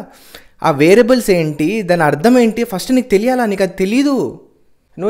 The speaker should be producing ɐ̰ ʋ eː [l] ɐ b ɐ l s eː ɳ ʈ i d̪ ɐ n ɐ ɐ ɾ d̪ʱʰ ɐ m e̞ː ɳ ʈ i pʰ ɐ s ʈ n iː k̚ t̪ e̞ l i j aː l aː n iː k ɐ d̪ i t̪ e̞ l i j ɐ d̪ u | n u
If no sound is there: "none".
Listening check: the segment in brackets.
ɾ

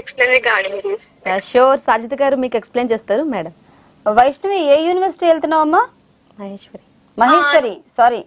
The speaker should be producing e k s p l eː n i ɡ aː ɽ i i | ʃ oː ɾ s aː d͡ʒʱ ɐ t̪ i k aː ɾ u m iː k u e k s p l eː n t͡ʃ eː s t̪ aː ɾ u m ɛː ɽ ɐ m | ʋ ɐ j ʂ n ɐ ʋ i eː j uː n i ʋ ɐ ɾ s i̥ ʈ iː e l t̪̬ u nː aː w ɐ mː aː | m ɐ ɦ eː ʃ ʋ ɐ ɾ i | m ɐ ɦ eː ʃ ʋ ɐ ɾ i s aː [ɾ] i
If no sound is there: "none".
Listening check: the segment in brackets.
ɾ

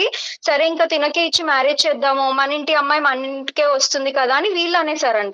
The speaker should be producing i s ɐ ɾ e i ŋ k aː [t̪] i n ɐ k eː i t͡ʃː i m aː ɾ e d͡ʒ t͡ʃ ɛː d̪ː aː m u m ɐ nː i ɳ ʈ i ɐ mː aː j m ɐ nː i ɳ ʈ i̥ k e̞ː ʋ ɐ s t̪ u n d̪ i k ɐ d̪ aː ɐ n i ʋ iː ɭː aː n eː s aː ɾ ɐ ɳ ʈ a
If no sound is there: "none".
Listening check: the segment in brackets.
t̪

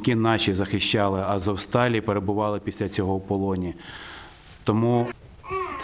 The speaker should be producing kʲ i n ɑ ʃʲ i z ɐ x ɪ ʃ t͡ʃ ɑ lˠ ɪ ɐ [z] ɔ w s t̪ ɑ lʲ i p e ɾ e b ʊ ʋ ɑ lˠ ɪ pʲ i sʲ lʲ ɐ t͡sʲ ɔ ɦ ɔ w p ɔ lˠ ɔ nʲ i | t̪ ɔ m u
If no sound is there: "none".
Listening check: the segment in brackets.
z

